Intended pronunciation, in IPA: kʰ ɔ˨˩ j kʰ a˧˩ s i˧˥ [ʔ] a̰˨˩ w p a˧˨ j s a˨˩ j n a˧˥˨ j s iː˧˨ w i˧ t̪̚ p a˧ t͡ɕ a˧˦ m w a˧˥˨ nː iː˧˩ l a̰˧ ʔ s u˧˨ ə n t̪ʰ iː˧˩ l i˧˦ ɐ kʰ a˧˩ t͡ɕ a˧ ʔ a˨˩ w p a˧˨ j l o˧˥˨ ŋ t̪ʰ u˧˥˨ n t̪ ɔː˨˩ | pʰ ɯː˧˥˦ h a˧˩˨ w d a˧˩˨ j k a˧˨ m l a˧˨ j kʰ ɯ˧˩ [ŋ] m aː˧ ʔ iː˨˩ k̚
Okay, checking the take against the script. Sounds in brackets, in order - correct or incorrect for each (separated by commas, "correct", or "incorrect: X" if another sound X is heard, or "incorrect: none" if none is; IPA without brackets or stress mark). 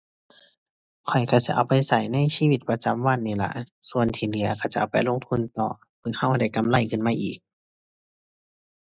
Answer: correct, incorrect: n